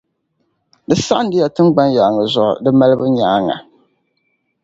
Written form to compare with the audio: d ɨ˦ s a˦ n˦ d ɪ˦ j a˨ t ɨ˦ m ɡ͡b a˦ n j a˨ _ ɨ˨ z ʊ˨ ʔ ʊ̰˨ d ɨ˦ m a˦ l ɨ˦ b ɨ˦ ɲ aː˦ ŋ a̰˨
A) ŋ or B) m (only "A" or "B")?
A